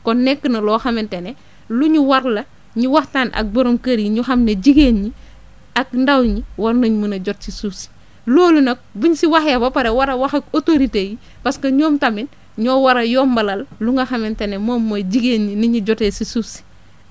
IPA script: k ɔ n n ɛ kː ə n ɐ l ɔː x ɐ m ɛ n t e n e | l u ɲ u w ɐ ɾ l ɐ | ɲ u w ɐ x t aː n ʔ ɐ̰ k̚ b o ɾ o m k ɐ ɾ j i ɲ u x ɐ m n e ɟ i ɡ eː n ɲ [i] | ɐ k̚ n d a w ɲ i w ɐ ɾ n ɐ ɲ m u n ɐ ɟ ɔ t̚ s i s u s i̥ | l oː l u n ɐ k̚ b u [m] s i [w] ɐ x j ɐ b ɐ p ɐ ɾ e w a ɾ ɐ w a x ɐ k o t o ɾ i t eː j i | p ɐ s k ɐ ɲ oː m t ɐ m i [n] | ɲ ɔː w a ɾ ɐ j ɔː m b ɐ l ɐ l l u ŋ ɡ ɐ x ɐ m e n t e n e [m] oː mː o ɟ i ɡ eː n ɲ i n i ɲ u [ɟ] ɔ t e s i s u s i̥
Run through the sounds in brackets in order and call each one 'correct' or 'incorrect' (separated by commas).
correct, incorrect, correct, correct, correct, correct